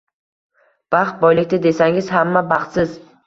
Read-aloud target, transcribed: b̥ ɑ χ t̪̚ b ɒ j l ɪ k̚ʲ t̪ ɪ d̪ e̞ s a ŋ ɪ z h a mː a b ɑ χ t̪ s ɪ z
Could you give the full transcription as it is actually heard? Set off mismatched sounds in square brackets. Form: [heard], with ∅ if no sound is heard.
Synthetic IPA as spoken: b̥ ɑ χ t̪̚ b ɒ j l ɪ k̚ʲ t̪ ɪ d̪ e̞ s a ŋ ɪ z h a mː a b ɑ χ t̪ s ɪ z